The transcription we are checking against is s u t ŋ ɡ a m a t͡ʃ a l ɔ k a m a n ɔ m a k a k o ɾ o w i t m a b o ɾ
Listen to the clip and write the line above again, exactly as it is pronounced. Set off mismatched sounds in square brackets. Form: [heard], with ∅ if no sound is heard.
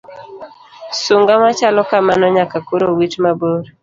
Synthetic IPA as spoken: s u [∅] ŋ ɡ a m a t͡ʃ a l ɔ k a m a n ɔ [ɲ] a k a k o ɾ o w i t m a b o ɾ

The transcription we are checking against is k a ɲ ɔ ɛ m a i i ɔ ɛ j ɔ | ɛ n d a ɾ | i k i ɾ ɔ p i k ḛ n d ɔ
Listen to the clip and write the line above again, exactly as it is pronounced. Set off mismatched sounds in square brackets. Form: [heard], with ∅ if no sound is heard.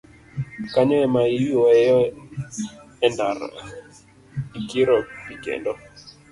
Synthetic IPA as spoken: k a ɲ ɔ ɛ m a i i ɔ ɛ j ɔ | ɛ n d a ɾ | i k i ɾ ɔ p i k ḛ n d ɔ

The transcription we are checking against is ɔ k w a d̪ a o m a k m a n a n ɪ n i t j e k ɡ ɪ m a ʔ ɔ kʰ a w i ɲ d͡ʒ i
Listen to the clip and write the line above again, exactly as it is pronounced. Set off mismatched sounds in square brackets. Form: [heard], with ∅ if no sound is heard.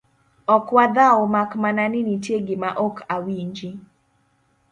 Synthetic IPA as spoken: ɔ k w a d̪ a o m a k m a n a n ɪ n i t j e [∅] ɡ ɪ m a ʔ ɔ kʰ a w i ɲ d͡ʒ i

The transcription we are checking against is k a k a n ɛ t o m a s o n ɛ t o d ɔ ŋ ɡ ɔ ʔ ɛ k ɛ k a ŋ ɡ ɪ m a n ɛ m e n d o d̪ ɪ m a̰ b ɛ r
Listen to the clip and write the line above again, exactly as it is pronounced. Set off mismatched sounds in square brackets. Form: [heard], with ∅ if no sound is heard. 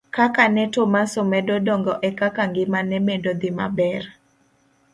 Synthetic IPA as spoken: k a k a n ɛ t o m a s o [m] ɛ [d] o d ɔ ŋ ɡ ɔ ʔ ɛ k [a] k a ŋ ɡ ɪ m a n ɛ m e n d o d̪ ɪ m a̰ b ɛ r

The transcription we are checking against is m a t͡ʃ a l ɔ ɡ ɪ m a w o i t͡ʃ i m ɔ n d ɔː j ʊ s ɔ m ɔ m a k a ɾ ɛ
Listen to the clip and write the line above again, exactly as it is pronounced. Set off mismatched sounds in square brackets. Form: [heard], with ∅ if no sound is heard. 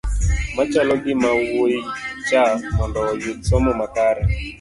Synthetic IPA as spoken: m a t͡ʃ a l ɔ ɡ ɪ m a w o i t͡ʃ [a] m ɔ n d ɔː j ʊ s ɔ m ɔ m a k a ɾ ɛ

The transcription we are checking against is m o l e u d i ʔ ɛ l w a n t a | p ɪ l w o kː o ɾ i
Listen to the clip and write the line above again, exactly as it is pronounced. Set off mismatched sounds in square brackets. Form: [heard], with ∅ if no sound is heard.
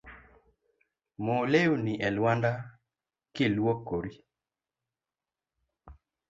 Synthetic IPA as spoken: m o l e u [n] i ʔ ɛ l w a n [d] a | [k] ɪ l w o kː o ɾ i

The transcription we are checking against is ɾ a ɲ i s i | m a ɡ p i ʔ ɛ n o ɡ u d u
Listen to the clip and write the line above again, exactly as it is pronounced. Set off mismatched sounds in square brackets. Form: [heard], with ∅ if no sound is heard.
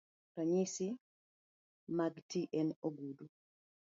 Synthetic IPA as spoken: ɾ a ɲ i s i | m a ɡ [t] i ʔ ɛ n o ɡ u d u

